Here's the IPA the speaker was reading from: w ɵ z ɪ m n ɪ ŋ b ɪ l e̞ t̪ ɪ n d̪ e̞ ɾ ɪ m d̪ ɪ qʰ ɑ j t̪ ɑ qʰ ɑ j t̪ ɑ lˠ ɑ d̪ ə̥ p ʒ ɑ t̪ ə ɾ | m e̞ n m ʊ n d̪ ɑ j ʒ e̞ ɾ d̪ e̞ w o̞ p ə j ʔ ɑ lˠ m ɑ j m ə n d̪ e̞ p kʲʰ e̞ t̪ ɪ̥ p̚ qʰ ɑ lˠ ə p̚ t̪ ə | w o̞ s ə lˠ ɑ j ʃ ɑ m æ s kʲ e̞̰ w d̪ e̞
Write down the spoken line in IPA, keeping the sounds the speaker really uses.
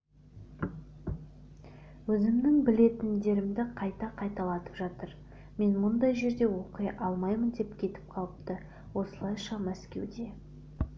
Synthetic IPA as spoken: w ɵ z ɪ m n ɪ ŋ b ɪ l e̞ t̪ ɪ n d̪ e̞ ɾ ɪ m d̪ ɪ qʰ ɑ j t̪ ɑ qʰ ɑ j t̪ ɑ lˠ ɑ t̪ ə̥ p ʒ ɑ t̪ ə ɾ | m e̞ n m ʊ n d̪ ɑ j ʒ e̞ ɾ d̪ e̞ w o̞ q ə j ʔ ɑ lˠ m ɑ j m ə n d̪ e̞ p kʲʰ e̞ t̪ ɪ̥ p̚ qʰ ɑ lˠ ə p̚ t̪ ə | w o̞ s ə lˠ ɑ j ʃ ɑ m æ s kʲ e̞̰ w d̪ e̞